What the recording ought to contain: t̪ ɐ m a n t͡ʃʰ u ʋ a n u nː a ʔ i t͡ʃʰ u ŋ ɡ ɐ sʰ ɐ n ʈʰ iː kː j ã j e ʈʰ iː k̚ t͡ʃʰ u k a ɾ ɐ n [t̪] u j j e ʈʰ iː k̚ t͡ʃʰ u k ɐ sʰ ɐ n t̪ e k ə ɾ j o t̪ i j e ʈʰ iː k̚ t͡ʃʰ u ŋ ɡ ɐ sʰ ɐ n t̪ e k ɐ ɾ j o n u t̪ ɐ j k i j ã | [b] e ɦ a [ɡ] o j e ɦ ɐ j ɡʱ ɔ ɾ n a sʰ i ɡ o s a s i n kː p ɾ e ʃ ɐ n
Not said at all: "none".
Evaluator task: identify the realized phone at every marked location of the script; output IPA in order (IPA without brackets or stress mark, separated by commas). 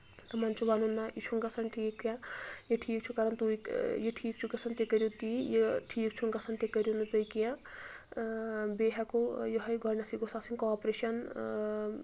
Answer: t̪, b, k